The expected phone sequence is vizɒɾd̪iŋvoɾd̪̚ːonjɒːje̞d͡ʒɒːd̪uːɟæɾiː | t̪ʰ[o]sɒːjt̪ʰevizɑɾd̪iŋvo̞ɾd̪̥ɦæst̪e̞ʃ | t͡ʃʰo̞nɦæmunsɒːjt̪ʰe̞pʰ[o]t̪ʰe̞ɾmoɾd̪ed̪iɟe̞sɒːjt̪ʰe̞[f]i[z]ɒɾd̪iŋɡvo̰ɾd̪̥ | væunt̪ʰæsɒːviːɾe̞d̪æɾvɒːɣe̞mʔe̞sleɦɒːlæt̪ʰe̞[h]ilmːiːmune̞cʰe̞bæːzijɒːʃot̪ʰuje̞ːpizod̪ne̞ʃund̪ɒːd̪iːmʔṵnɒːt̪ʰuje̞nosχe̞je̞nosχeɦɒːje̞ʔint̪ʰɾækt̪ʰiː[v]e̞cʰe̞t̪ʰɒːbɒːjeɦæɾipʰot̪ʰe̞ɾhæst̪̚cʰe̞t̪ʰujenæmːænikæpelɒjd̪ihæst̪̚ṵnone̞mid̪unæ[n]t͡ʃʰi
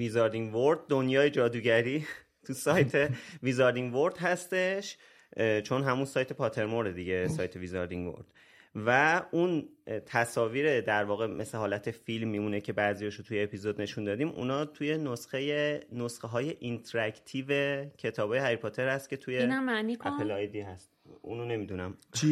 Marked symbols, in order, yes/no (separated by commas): no, no, no, yes, no, yes, no